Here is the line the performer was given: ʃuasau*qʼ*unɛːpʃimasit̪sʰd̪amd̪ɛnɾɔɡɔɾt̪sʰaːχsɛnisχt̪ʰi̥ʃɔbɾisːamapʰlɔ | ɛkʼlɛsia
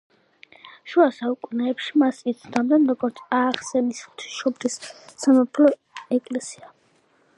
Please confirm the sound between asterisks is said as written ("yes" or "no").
no